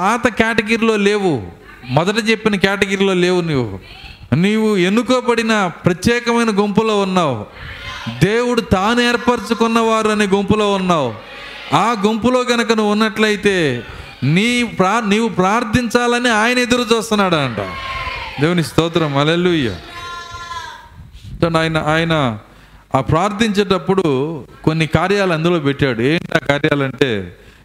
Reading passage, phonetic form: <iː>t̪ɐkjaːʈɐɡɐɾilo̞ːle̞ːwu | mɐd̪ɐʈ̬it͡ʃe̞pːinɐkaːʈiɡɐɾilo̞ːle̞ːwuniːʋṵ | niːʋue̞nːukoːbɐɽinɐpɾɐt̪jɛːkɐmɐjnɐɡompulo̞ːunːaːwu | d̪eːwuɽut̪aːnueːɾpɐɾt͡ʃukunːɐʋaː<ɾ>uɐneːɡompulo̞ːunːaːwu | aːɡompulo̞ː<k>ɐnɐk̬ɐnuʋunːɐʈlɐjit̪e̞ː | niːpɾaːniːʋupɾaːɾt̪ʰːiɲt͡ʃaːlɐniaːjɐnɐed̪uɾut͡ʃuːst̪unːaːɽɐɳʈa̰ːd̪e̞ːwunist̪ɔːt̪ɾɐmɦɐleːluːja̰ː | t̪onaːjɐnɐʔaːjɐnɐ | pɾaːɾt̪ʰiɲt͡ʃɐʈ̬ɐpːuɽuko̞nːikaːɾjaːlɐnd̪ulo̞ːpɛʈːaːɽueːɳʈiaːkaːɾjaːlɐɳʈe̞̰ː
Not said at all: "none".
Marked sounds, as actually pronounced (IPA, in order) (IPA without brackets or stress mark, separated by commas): aː, ɾ, ɡ